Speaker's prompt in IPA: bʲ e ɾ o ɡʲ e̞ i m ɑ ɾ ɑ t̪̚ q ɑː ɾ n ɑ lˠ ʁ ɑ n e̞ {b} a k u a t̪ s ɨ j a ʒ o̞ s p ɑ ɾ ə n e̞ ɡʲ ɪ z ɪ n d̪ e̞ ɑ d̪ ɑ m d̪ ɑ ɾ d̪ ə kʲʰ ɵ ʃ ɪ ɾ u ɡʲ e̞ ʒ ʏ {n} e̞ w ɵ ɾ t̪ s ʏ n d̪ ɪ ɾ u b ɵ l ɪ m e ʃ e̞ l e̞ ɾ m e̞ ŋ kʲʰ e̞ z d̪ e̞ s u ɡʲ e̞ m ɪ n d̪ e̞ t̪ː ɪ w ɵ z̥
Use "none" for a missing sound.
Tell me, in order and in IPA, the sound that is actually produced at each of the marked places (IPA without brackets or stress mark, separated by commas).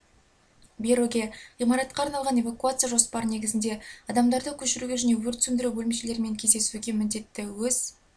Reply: v, n